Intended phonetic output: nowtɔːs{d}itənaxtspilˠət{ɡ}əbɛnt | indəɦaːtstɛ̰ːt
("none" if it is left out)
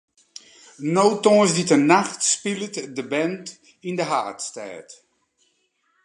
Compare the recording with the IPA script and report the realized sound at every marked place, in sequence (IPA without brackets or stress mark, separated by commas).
d, d